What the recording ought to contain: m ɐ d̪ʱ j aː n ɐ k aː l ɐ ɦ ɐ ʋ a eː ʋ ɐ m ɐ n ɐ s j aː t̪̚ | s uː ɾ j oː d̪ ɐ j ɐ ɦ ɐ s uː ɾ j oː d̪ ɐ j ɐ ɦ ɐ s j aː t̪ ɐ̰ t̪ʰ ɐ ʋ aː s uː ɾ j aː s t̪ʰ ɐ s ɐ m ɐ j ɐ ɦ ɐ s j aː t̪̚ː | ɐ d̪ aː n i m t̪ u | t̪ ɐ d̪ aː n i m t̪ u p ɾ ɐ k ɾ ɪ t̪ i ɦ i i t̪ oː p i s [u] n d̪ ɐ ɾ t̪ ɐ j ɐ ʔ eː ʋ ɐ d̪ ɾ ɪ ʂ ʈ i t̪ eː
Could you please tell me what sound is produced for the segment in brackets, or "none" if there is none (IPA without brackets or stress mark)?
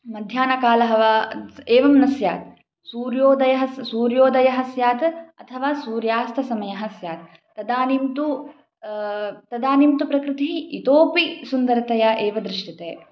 u